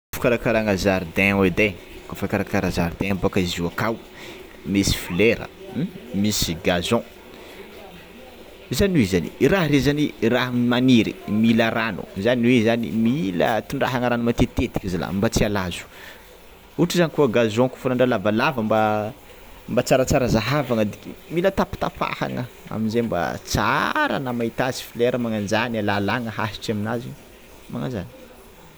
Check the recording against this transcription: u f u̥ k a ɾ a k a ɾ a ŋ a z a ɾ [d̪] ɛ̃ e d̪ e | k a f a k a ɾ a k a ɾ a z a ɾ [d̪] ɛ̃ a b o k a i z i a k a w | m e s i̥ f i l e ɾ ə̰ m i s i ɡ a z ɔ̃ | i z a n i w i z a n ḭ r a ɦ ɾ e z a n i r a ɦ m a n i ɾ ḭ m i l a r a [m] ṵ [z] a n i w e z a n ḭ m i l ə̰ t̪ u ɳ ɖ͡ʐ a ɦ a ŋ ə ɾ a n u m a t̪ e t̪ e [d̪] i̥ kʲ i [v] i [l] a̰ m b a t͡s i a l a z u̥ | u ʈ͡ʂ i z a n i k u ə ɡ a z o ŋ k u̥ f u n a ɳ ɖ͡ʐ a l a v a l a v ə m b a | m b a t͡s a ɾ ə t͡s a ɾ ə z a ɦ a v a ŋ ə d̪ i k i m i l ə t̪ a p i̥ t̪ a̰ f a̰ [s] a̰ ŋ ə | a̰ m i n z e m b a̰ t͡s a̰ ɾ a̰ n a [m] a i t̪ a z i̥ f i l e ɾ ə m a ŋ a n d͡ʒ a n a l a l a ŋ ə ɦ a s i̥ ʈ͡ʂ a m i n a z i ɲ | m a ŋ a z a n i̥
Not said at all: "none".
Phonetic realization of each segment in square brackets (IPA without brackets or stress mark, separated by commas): d̪, d̪, n, z, t̪, z, l, h, m